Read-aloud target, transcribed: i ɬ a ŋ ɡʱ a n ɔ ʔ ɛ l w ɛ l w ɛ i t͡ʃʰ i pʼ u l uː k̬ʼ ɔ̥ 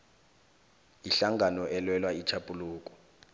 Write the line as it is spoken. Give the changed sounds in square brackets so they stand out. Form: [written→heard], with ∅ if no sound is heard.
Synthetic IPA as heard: i ɬ a ŋ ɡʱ a n ɔ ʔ ɛ l w ɛ l w [ɛ→a] i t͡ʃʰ [i→a] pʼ u l uː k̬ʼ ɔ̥